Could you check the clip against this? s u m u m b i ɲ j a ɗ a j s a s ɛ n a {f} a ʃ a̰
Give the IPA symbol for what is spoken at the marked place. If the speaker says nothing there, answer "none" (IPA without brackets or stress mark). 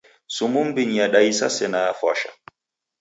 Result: f